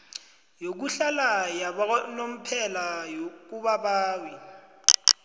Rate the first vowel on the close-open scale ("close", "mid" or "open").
mid